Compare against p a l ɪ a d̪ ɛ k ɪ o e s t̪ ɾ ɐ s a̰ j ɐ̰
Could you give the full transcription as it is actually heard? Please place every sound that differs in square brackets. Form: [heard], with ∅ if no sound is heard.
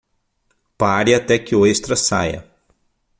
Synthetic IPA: p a [ɾ] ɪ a [t̪] ɛ k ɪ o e s t̪ ɾ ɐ s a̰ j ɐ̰

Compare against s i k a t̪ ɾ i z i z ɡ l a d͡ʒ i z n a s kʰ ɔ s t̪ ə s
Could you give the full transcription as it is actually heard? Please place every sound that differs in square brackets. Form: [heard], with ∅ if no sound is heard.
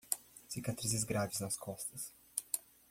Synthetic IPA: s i k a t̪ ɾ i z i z ɡ [ɾ] a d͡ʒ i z n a s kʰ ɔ s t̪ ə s

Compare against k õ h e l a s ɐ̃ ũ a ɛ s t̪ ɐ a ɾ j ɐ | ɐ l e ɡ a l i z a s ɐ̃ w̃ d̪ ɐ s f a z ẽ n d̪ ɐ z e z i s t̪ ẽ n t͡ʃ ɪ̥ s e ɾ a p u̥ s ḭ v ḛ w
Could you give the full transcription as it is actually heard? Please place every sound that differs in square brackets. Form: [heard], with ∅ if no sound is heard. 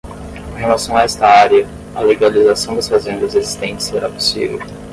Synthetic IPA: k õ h e l a s ɐ̃ [w̃] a ɛ s t̪ ɐ a ɾ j ɐ | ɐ l e ɡ a l i z a s ɐ̃ w̃ d̪ ɐ s f a z ẽ n d̪ ɐ z e z i s t̪ ẽ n t͡ʃ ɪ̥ s e ɾ a p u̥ s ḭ v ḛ w

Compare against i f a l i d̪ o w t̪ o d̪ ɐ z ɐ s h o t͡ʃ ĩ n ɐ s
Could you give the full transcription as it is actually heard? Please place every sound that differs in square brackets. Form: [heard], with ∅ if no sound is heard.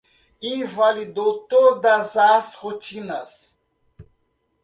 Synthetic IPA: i [v] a l i d̪ o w t̪ o d̪ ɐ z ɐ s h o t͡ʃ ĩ n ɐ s

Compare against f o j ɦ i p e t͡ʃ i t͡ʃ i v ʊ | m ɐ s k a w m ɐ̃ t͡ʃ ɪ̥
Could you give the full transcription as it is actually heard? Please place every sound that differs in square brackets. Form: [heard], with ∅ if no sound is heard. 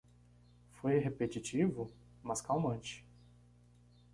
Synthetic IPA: f o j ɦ [e] p e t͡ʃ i t͡ʃ i v ʊ | m ɐ s k a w m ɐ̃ t͡ʃ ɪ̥

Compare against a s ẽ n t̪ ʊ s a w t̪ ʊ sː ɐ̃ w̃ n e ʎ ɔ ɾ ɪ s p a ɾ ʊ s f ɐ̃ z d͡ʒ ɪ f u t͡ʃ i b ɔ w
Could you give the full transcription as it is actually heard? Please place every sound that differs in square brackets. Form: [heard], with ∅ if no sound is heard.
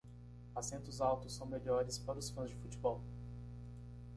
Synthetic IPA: a s ẽ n t̪ ʊ [z] a w t̪ ʊ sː ɐ̃ w̃ [m] e ʎ ɔ ɾ ɪ s p a ɾ ʊ s f ɐ̃ z d͡ʒ ɪ f u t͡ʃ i b ɔ w

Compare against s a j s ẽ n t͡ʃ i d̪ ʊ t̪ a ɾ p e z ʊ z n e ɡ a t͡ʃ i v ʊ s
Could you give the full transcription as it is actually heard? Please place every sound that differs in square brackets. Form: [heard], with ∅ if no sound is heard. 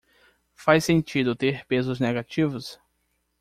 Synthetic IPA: [f] a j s ẽ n t͡ʃ i d̪ ʊ t̪ [e] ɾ p e z ʊ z n e ɡ a t͡ʃ i v ʊ s

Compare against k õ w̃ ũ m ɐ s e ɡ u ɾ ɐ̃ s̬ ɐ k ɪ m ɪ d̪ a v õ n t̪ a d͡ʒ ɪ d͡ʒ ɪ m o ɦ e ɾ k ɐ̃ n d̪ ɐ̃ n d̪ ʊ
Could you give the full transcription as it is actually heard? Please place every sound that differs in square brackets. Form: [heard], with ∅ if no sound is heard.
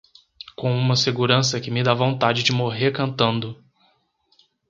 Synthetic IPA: k õ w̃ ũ m ɐ s e ɡ u ɾ ɐ̃ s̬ ɐ k ɪ m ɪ d̪ a v õ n t̪ a d͡ʒ ɪ d͡ʒ ɪ m o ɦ e ɾ k ɐ̃ n [t̪] ɐ̃ n d̪ ʊ

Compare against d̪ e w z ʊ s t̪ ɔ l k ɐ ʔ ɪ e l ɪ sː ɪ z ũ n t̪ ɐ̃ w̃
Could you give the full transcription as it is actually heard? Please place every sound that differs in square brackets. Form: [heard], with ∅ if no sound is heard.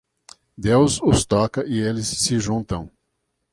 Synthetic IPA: d̪ e w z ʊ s t̪ ɔ [∅] k ɐ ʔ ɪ e l ɪ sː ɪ [ʒ] ũ n t̪ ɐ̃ w̃

